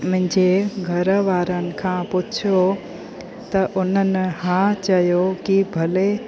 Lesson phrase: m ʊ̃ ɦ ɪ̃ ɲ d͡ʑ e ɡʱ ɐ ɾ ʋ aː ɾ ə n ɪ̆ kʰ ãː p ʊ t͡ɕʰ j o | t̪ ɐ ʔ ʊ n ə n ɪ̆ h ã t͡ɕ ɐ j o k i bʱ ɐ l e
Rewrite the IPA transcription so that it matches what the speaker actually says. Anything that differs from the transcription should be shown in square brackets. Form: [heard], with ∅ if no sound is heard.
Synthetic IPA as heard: m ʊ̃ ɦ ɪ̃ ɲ d͡ʑ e ɡʱ ɐ ɾ ʋ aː ɾ ə n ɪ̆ kʰ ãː p ʊ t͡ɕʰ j o | t̪ ɐ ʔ ʊ n ə n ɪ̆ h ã t͡ɕ ɐ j o k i bʱ ɐ l e